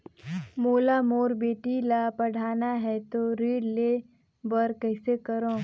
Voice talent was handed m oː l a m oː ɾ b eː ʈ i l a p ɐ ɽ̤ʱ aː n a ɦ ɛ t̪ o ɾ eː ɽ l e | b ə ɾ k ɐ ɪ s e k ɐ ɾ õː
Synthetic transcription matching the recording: m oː l a m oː ɾ b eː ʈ i l a p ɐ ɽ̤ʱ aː n a ɦ ɛ t̪ o ɾ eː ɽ l e | b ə ɾ k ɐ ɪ s e k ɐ ɾ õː